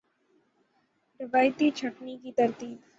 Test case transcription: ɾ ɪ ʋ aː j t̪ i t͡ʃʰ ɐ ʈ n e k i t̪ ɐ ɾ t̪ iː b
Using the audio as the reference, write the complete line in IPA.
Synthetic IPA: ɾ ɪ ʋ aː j t̪ i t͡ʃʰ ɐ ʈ n i k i t̪ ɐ ɾ t̪ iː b

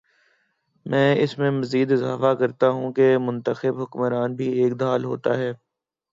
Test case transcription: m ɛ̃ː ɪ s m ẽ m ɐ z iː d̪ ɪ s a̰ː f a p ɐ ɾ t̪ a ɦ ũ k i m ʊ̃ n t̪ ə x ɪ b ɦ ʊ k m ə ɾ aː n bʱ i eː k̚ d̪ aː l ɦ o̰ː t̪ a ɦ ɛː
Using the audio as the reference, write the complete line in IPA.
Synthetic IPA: m ɛ̃ː ɪ s m ẽ m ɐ z iː d̪ ɪ z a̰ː f a k ɐ ɾ t̪ a ɦ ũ k e m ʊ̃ n t̪ ə x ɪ b ɦ ʊ k m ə ɾ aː n bʱ i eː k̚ d̪ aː l ɦ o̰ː t̪ a ɦ ɛː

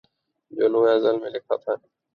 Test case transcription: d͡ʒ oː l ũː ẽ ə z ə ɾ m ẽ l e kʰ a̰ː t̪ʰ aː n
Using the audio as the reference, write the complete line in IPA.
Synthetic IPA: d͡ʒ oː l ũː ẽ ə z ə l m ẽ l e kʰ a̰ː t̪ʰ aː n

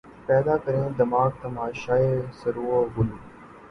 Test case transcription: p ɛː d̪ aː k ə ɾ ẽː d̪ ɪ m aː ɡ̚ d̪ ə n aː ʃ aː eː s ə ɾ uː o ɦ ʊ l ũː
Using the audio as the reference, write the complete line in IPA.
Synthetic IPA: p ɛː d̪ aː k ə ɾ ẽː d̪ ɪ m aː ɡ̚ t̪ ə m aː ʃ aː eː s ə ɾ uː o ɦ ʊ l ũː

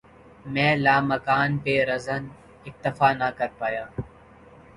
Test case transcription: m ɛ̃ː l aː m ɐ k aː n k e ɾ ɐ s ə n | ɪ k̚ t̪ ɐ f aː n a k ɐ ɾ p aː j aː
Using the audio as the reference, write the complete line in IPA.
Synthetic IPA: m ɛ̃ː l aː m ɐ k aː n p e ɾ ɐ z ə n | ɪ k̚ t̪ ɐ f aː n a k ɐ ɾ p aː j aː

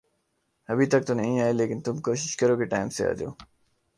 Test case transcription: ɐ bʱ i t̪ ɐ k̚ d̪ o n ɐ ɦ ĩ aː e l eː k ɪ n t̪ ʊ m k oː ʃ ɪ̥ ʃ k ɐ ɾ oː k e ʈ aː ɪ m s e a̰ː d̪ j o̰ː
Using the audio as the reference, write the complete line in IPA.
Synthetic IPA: ɐ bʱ i t̪ ɐ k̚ t̪ o n ɐ ɦ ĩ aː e l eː k ɪ n t̪ ʊ m k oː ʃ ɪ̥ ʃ k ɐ ɾ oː k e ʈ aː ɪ m s e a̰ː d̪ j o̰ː

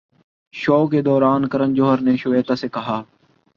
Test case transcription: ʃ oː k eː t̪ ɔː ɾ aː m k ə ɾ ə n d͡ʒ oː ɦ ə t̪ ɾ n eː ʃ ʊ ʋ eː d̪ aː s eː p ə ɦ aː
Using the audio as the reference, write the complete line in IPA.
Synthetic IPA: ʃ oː k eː d̪ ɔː ɾ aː n k ə ɾ ə n d͡ʒ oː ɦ ə ɾ n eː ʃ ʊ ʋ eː t̪ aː s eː k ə ɦ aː

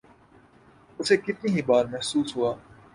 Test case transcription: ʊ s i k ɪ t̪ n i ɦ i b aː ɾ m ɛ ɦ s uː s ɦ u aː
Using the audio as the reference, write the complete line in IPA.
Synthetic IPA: ʊ s e k ɪ t̪ n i ɦ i b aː ɾ m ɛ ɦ s uː s ɦ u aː

